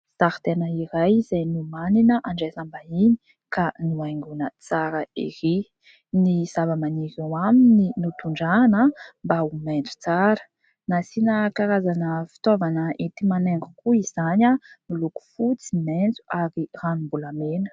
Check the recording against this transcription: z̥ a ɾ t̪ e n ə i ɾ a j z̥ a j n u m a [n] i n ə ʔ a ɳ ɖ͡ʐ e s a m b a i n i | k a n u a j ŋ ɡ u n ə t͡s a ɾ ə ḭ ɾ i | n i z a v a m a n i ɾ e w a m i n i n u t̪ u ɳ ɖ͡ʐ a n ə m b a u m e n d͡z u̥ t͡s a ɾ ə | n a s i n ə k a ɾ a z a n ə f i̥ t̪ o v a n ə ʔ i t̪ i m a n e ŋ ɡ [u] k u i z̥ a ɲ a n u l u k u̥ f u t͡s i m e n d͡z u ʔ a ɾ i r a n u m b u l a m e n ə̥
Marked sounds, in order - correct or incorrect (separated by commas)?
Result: correct, correct